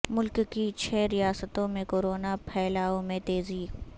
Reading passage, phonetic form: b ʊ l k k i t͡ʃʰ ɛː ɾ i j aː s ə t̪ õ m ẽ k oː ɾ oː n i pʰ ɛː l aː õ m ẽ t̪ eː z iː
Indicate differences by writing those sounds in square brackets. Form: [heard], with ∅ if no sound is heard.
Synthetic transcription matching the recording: [m] ʊ l k k i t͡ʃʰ ɛː ɾ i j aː s ə t̪ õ m ẽ k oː ɾ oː n [a] pʰ ɛː l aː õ m ẽ t̪ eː z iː